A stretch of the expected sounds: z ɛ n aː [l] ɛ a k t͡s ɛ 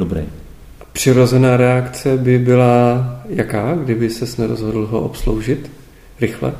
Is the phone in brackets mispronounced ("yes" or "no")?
yes